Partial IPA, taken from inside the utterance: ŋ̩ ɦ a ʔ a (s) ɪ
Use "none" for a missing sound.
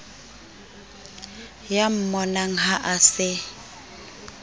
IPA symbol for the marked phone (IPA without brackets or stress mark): s